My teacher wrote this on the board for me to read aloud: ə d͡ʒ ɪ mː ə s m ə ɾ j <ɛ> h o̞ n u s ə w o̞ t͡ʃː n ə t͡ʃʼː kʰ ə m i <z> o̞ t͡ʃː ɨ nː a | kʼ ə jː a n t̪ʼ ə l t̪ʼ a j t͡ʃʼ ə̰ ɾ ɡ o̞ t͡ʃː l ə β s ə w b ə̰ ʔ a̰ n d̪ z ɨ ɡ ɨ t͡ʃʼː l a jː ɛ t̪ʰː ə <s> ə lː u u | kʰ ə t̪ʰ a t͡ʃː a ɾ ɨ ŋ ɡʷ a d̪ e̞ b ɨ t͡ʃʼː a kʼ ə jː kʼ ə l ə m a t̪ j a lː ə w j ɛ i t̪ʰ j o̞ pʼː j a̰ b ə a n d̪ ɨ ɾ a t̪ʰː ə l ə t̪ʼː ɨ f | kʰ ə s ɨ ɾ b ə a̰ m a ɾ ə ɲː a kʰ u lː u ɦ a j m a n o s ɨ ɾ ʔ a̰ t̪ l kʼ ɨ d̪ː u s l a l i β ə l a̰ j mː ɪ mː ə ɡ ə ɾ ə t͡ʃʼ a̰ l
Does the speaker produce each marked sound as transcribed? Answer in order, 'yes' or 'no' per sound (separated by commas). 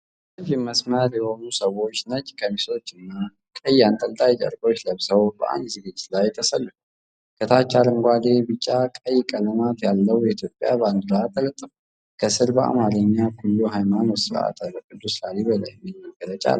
yes, no, yes